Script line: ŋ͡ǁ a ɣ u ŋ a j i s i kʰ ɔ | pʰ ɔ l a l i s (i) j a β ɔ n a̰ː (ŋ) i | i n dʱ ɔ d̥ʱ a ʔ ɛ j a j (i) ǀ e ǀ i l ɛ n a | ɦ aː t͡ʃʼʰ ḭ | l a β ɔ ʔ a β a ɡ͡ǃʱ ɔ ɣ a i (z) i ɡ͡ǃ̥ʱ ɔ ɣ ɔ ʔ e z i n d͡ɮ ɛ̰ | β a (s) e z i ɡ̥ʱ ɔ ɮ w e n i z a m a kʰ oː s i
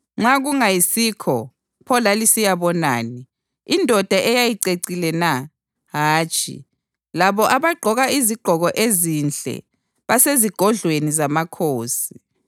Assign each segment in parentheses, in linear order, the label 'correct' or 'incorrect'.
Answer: correct, incorrect, correct, correct, correct

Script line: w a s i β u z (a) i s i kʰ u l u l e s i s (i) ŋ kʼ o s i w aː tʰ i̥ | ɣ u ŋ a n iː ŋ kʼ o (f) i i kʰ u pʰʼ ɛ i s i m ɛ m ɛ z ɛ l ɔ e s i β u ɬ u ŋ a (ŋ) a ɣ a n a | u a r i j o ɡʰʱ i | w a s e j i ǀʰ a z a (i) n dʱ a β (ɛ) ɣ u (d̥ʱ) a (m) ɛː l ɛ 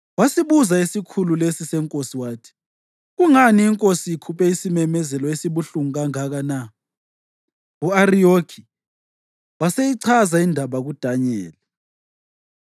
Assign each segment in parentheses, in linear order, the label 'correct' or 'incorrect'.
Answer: correct, incorrect, incorrect, correct, correct, incorrect, correct, incorrect

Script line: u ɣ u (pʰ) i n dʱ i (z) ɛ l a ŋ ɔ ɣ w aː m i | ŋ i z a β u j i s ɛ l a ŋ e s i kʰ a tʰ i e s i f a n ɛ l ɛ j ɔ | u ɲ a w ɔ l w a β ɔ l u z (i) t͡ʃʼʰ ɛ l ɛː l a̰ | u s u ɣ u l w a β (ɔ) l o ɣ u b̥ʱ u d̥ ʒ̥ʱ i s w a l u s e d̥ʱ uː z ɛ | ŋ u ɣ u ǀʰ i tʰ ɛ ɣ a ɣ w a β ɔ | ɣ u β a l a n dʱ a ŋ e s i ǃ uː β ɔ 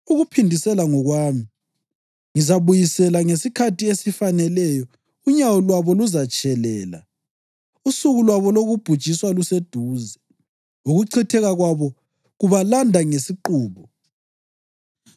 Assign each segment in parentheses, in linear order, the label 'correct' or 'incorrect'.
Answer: correct, incorrect, incorrect, correct

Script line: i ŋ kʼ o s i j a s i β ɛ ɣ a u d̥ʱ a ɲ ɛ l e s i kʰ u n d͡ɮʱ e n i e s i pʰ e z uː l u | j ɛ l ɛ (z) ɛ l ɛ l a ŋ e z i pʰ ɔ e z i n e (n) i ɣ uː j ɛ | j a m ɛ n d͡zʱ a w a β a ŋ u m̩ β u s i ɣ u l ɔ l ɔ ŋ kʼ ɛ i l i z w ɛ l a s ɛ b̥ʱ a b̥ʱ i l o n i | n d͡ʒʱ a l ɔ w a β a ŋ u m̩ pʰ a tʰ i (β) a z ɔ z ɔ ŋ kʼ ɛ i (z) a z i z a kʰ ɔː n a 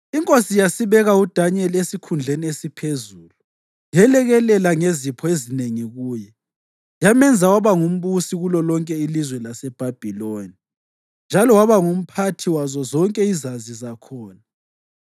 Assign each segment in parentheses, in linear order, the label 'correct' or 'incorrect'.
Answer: incorrect, incorrect, incorrect, correct

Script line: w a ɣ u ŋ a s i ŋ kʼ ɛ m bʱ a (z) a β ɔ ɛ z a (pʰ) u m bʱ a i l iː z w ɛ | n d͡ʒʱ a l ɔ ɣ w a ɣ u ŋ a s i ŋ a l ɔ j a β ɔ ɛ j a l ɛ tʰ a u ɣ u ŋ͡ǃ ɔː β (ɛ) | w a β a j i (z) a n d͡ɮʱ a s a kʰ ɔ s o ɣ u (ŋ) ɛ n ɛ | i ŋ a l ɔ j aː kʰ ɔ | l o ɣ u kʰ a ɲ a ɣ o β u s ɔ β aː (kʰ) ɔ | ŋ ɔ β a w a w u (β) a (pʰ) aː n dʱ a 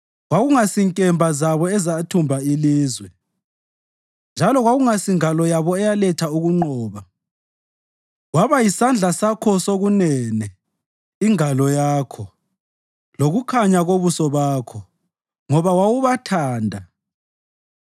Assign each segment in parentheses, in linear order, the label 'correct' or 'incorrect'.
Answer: correct, incorrect, incorrect, incorrect, incorrect, correct, correct, incorrect

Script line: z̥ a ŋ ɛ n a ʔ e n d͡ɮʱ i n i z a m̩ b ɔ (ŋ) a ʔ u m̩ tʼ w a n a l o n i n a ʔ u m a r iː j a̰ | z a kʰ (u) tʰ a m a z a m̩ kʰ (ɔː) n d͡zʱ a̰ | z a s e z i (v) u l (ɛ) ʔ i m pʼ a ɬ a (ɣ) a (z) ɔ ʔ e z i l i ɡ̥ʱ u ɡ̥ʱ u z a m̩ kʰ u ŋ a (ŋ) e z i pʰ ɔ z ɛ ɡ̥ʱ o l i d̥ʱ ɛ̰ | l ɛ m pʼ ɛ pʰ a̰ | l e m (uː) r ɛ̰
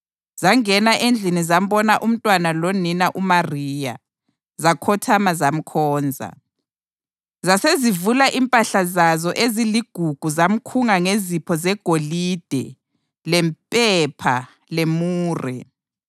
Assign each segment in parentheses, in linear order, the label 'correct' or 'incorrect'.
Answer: incorrect, incorrect, correct, correct, incorrect, incorrect, correct, correct, correct

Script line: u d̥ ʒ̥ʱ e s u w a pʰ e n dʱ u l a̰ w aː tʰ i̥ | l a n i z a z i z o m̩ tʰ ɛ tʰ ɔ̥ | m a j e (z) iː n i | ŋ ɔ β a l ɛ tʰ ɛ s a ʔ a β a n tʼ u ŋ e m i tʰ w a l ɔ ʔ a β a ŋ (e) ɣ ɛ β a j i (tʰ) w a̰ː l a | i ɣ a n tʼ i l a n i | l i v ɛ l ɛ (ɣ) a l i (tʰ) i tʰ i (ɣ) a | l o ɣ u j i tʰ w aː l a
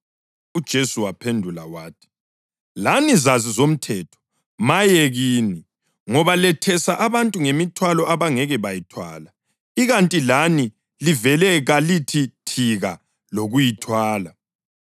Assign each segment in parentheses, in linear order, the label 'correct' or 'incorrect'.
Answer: incorrect, incorrect, correct, correct, correct, correct

